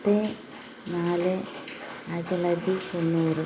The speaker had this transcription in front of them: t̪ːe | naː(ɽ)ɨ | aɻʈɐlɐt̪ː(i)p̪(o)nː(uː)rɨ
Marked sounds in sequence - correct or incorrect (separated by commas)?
incorrect, correct, correct, correct